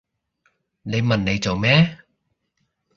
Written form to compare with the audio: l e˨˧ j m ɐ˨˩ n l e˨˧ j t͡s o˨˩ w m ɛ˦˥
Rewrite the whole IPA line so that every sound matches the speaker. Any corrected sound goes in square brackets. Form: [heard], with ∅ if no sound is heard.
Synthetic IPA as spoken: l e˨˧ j m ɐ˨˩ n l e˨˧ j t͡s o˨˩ w m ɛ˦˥